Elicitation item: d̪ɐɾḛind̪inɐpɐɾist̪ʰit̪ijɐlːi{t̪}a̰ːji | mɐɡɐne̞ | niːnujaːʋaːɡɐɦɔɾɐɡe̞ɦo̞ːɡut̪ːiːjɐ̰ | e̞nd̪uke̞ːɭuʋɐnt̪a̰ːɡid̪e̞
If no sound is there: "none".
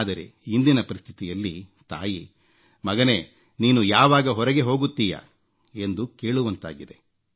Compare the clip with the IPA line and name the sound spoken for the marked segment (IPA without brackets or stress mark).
t̪